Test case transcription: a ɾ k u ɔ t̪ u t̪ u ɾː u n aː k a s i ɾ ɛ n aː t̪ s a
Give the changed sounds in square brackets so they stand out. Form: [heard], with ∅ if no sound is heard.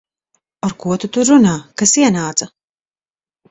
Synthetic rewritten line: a ɾ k u ɔ t̪ u t̪ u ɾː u n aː k a s i [∅] ɛ n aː t̪ s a